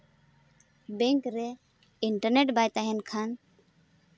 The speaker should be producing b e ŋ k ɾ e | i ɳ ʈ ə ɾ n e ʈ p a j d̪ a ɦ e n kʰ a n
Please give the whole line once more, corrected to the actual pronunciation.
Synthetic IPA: b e ŋ k ɾ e | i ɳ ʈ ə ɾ n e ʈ b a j t̪ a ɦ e n kʰ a n